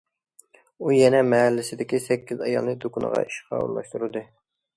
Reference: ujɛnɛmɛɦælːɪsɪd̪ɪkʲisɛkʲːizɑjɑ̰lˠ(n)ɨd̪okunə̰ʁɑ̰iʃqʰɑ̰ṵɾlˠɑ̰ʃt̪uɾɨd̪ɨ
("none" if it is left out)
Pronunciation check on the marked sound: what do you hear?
n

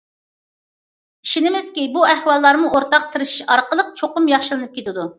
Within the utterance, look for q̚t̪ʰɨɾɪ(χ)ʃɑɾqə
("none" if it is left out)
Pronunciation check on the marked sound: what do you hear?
ʃ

